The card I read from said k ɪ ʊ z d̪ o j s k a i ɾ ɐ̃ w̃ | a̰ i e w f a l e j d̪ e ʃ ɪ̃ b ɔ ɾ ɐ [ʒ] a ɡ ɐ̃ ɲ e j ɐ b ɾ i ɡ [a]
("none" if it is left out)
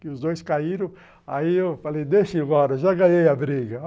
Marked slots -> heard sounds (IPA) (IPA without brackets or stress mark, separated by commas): ʒ, ɐ